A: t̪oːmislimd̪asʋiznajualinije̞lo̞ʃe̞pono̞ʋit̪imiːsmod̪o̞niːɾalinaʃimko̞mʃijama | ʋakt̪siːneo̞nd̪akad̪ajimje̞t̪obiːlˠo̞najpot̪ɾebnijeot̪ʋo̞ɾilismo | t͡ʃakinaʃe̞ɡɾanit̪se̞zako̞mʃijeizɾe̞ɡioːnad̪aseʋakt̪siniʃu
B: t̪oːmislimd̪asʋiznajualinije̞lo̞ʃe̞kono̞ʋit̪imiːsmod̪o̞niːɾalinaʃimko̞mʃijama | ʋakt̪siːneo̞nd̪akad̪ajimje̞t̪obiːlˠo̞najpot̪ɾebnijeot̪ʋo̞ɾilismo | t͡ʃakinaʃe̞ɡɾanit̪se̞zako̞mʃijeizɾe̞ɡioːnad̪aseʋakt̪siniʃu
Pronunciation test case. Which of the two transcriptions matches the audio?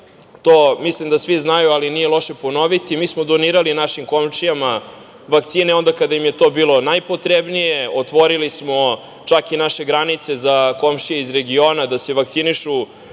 A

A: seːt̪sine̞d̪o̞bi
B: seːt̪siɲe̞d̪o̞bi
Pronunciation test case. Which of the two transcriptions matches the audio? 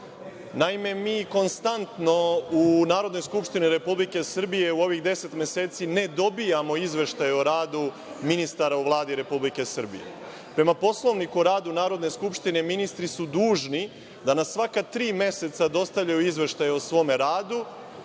A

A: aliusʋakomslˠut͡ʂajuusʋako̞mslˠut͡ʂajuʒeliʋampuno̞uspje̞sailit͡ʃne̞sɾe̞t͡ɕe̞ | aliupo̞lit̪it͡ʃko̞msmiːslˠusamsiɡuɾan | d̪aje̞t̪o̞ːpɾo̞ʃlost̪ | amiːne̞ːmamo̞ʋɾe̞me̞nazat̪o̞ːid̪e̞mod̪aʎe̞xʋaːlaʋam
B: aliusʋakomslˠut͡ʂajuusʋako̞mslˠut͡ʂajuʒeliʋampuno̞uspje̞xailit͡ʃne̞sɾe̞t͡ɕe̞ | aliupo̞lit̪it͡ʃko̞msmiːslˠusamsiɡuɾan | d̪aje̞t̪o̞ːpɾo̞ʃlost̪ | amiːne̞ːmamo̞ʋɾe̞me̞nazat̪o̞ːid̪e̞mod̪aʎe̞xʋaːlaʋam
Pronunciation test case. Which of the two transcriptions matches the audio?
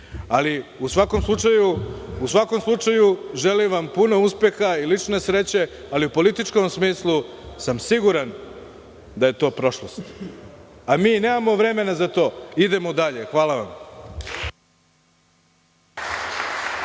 B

